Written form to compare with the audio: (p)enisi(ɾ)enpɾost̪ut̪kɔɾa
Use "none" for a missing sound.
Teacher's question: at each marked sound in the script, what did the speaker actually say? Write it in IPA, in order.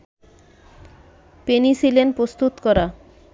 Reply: p, l

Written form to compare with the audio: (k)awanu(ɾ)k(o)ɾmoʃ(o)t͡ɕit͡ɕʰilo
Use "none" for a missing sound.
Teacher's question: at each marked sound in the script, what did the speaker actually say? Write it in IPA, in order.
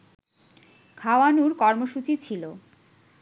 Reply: kʰ, ɾ, ɔ, u

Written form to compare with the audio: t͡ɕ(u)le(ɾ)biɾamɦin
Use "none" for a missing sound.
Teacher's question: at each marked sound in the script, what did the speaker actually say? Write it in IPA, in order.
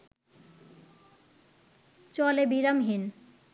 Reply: ɔ, none

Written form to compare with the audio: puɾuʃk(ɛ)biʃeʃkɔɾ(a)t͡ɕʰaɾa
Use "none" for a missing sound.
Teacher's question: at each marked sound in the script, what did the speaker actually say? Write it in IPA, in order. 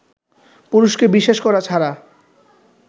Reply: e, a

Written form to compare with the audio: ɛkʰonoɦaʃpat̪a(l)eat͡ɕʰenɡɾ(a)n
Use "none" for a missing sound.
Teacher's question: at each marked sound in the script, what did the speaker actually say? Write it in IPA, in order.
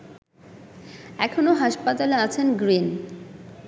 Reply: l, i

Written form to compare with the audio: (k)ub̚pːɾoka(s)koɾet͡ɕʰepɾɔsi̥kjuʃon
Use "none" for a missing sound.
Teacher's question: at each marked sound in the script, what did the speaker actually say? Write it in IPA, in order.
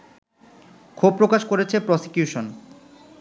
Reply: kʰ, ʃ

